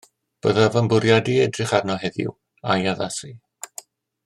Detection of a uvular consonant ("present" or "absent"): present